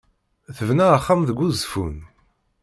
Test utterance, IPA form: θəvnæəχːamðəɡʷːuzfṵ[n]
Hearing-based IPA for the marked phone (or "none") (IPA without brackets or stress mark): n